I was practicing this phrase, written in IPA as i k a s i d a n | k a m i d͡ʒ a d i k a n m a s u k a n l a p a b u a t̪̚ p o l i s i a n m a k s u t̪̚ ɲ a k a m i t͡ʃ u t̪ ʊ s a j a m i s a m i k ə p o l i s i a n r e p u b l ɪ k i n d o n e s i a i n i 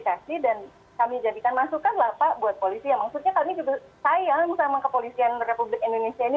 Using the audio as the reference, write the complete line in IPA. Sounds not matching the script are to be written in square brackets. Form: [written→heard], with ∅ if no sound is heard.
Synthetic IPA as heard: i k a s i d a n | k a m i d͡ʒ a d i k a n m a s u k a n l a p a b u a t̪̚ p o l i s i a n m a k s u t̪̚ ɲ a k a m i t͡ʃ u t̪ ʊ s a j a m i s a m [i→a] k ə p o l i s i a n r e p u b l ɪ k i n d o n e s i a i n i